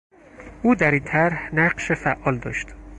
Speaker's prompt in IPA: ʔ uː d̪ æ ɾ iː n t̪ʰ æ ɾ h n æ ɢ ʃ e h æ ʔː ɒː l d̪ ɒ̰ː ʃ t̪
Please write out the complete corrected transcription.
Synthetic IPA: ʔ uː d̪ æ ɾ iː n t̪ʰ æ ɾ h n æ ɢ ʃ e f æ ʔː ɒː l d̪ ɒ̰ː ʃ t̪